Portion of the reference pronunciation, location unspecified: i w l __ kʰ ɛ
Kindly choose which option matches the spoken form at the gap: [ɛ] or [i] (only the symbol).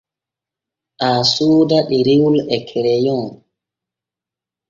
ɛ